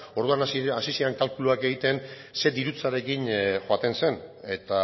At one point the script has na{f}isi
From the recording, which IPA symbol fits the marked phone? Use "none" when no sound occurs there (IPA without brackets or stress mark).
s